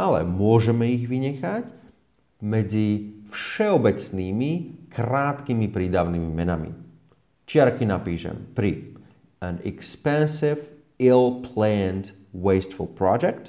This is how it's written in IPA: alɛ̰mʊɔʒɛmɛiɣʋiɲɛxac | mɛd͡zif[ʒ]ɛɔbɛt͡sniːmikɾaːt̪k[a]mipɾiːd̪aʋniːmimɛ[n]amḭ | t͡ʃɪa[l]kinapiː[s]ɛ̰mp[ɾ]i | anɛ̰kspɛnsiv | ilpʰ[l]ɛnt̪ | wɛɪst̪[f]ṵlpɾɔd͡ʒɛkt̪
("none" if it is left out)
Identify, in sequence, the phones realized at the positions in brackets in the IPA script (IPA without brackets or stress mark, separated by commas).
ʃ, i, n, ɾ, ʃ, ɾ, l, f